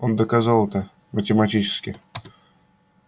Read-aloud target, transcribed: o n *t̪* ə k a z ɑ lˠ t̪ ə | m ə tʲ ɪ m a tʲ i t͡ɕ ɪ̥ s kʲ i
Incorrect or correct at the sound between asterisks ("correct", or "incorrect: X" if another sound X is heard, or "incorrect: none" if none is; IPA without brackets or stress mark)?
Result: incorrect: d̪